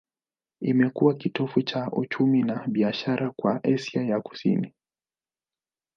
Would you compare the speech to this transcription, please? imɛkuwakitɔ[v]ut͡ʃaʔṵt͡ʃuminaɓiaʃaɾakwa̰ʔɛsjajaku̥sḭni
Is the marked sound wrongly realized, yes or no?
yes